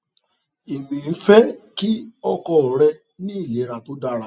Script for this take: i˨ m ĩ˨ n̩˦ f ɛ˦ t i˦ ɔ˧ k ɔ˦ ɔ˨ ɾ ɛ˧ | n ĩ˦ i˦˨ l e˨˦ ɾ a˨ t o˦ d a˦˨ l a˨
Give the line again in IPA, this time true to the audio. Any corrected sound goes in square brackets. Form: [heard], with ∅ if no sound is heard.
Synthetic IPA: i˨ m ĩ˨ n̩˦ f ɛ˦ [k] i˦ ɔ˧ k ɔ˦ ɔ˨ ɾ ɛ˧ | n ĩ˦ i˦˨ l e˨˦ ɾ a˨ t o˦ d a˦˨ [ɾ] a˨